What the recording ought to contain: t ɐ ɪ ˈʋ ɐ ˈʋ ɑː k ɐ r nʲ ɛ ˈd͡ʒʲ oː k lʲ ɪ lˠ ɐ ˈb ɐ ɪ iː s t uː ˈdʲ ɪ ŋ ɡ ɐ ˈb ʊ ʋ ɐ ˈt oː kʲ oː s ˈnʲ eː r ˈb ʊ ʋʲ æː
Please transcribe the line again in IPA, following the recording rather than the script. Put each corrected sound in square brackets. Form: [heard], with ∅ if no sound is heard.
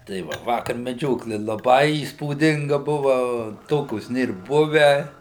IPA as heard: t ɐ ɪ ˈʋ ɐ ˈʋ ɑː k ɐ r [mʲ] ɛ ˈd͡ʒʲ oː k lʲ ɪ lˠ ɐ ˈb ɐ ɪ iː s [p] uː ˈdʲ ɪ ŋ ɡ ɐ ˈb ʊ ʋ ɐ ˈt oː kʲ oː s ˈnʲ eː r ˈb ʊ ʋʲ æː